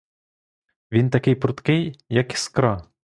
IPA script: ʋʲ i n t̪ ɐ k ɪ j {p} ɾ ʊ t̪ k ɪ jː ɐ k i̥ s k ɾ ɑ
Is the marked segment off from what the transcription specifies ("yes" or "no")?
no